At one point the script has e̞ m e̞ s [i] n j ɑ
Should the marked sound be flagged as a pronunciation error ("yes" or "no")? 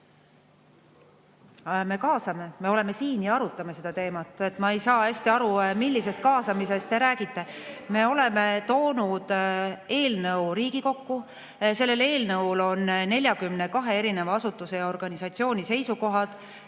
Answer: yes